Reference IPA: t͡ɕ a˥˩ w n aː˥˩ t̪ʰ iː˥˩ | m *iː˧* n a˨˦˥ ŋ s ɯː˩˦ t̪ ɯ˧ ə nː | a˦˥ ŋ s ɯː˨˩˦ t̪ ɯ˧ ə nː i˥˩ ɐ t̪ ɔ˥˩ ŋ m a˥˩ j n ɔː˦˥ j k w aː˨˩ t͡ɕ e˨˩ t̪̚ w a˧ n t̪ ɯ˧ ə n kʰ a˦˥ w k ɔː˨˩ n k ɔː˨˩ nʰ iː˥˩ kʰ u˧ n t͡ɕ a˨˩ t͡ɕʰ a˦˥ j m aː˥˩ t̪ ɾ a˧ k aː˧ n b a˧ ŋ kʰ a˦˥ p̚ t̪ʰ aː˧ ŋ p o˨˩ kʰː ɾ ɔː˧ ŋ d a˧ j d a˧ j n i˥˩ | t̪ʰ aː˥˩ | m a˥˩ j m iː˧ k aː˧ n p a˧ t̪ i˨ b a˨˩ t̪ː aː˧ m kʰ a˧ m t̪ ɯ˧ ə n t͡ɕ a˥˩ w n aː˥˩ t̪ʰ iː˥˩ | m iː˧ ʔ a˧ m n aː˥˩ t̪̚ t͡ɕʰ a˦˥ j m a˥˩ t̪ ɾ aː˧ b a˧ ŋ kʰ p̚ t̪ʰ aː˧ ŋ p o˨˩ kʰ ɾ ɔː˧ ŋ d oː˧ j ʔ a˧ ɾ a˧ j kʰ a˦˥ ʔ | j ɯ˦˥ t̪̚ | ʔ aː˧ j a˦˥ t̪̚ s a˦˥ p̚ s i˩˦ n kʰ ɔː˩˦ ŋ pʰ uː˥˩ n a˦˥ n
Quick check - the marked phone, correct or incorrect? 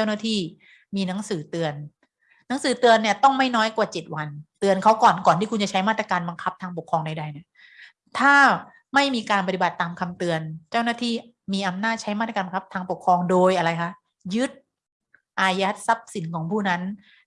correct